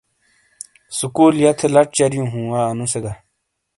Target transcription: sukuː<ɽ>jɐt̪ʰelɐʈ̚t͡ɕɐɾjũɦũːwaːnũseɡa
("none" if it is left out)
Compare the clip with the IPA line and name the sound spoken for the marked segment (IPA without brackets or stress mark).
l